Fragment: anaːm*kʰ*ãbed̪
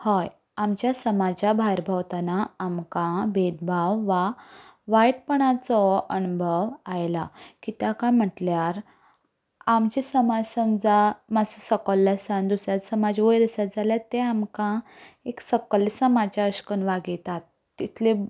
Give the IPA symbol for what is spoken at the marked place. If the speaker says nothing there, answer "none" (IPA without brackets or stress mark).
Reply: k